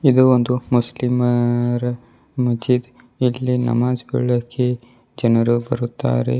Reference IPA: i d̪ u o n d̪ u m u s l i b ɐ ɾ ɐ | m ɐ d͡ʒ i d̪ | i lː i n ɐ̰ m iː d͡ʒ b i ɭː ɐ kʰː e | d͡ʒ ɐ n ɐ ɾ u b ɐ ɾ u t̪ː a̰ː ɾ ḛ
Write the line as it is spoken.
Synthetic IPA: i d̪ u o n d̪ u m u s l i m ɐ ɾ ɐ | m ɐ d͡ʒ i d̪ | i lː i n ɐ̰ m aː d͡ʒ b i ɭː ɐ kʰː e | d͡ʒ ɐ n ɐ ɾ u b ɐ ɾ u t̪ː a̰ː ɾ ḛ